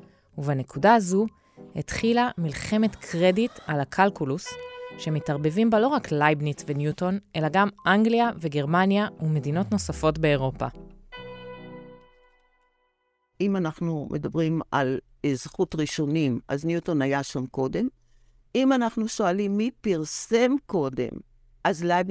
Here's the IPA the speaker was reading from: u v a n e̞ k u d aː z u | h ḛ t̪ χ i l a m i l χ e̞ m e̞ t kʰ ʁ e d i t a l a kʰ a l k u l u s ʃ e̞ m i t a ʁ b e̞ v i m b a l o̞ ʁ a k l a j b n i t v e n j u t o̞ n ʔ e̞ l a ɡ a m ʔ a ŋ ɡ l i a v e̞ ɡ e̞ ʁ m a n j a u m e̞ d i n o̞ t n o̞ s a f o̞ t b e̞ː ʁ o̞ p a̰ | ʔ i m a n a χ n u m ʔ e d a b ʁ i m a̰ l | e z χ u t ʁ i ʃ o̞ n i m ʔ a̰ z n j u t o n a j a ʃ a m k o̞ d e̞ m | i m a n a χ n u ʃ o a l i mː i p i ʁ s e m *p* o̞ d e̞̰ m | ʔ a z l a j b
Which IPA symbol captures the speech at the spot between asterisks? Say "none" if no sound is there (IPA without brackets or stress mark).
k